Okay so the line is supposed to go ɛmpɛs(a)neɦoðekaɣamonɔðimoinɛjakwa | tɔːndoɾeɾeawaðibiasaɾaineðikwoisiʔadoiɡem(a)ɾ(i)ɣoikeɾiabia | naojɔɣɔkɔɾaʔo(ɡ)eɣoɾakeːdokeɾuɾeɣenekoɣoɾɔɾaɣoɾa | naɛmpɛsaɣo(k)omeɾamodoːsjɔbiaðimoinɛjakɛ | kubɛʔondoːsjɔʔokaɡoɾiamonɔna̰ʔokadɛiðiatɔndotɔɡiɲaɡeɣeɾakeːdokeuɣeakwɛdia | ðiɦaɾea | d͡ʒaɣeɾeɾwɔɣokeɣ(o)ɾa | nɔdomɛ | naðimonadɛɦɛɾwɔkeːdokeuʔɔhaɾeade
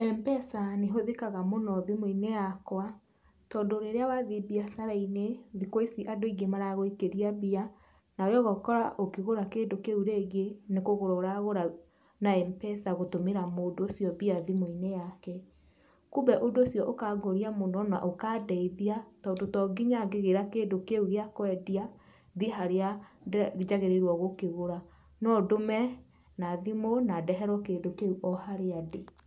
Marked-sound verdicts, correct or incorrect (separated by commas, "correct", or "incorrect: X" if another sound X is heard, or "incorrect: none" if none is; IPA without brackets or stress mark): correct, correct, incorrect: a, incorrect: k, incorrect: t, correct